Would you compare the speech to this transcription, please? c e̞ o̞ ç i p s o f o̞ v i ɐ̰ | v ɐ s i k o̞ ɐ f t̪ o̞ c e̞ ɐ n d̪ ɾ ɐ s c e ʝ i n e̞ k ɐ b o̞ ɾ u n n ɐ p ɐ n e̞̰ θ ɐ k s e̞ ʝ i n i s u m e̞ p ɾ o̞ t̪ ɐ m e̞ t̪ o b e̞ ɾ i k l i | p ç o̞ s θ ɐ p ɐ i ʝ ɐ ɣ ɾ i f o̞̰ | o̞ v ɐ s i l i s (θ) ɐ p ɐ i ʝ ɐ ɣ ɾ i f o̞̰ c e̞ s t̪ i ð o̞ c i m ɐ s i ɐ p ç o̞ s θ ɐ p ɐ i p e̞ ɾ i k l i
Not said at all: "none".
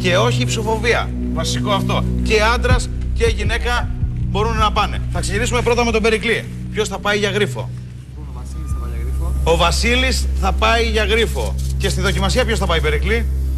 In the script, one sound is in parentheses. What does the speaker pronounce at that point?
θ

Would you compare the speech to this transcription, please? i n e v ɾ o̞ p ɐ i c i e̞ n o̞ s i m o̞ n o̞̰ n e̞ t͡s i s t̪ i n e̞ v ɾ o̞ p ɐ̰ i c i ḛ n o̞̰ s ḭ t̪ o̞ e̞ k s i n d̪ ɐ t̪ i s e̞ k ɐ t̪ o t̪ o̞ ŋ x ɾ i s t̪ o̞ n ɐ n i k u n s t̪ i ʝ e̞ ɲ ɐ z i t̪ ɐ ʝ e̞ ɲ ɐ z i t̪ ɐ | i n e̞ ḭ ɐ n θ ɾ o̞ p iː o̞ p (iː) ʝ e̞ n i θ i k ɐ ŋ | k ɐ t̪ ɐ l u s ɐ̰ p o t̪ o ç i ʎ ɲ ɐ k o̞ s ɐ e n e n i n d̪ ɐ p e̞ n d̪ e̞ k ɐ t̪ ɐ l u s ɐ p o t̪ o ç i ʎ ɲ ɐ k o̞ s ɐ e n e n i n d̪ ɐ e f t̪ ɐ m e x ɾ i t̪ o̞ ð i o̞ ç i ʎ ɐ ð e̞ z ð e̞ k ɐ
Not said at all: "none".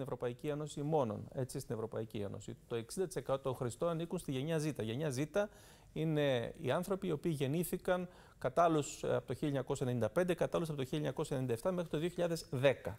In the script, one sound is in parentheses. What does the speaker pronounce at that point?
iː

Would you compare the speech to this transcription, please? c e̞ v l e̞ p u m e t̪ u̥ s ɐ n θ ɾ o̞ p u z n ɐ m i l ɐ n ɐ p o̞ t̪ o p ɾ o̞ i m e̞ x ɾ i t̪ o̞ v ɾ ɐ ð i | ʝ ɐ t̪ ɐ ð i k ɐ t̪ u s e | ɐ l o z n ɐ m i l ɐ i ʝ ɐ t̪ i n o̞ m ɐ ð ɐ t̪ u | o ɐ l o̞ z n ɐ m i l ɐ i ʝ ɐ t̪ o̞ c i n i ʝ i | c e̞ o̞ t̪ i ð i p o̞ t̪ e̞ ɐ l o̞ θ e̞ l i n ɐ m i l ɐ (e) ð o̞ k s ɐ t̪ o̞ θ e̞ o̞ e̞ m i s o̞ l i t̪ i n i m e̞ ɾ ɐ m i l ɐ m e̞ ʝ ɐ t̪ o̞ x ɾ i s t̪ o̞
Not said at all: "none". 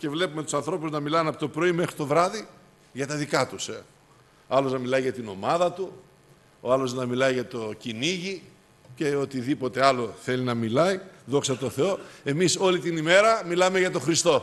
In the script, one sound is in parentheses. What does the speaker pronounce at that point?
i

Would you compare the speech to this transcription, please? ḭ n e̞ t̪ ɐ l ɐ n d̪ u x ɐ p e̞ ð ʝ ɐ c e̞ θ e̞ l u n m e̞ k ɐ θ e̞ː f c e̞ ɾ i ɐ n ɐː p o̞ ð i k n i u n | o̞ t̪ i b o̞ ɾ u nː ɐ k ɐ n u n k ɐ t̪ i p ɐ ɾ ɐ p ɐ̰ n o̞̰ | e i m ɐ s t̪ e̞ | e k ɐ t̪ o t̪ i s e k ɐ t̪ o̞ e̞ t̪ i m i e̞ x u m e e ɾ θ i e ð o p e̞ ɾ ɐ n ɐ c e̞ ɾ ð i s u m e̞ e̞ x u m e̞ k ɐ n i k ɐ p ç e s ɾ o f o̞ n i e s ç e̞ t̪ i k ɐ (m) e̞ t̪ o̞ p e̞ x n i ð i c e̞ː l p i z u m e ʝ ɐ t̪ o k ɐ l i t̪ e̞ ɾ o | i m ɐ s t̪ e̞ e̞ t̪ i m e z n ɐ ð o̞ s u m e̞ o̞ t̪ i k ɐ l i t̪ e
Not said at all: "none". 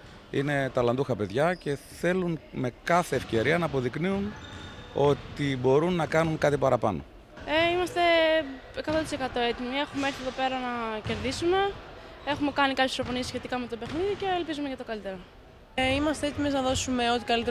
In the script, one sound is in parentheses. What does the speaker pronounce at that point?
m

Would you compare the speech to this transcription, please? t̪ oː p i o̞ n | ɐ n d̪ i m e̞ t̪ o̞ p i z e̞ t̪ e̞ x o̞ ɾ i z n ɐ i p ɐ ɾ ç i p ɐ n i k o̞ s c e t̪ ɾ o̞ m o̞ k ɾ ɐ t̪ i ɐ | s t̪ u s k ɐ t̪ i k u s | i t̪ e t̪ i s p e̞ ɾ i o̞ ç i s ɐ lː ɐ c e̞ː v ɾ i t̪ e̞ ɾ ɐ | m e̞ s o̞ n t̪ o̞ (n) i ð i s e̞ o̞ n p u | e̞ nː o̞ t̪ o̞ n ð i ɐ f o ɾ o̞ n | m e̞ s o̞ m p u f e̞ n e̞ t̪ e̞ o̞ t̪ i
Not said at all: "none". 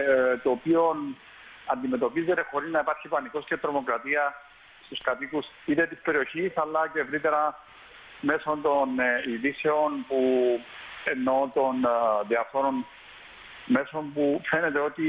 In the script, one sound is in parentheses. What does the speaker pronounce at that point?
n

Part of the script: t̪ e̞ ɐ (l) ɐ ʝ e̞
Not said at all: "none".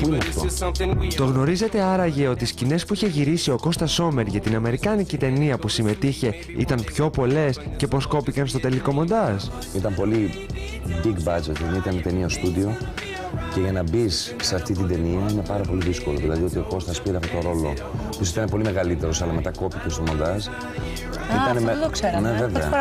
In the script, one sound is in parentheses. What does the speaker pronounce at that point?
ɾ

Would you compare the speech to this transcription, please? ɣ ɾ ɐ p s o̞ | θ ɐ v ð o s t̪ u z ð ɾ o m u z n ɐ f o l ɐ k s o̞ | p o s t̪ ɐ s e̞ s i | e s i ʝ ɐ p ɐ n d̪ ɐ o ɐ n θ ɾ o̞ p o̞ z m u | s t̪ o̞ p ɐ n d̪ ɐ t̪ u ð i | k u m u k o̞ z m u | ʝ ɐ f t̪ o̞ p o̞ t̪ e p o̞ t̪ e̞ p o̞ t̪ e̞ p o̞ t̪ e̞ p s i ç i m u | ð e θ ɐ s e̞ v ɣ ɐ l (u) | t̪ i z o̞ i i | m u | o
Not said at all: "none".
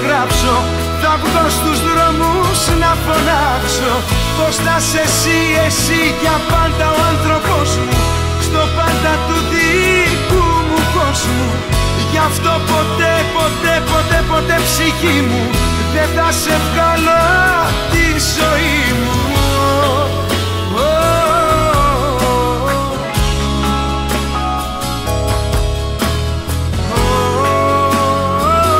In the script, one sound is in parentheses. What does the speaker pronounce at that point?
o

